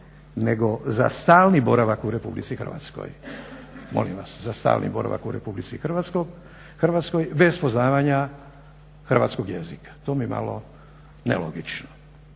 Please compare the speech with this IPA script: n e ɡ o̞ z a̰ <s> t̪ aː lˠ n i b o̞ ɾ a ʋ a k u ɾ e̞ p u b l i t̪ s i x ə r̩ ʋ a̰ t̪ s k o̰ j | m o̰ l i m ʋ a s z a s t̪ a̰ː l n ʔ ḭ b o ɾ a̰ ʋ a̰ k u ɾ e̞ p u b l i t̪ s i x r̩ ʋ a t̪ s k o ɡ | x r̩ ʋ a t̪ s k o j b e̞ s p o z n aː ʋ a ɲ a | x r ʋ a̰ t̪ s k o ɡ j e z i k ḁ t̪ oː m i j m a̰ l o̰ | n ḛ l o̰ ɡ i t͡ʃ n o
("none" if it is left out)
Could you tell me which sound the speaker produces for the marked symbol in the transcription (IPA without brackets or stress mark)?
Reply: s